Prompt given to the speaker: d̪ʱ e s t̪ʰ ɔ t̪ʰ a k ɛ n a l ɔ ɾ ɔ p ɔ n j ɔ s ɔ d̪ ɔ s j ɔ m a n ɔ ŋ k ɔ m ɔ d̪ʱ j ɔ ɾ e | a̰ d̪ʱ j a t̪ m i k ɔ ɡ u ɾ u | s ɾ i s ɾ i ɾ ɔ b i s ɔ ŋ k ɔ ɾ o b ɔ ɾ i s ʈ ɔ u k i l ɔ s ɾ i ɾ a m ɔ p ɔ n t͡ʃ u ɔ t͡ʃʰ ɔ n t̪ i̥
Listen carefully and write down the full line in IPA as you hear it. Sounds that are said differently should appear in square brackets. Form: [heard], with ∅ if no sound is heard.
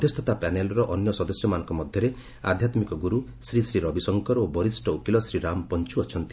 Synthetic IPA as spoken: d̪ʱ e s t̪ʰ ɔ [t̪] a [p] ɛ n [e] l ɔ ɾ ɔ [ʔ] ɔ n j ɔ s ɔ d̪ ɔ s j ɔ m a n ɔ ŋ k ɔ m ɔ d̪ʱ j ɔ ɾ e | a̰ d̪ʱ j a t̪ m i k ɔ ɡ u ɾ u | s ɾ i s ɾ i ɾ ɔ b i s ɔ ŋ k ɔ ɾ o b ɔ ɾ i s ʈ ɔ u k i l ɔ s ɾ i ɾ a m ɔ p ɔ n t͡ʃ u ɔ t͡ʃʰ ɔ n t̪ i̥